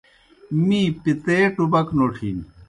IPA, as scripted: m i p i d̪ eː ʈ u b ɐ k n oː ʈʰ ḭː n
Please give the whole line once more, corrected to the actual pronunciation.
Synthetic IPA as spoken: m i p i t̪ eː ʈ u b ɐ k n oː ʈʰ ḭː n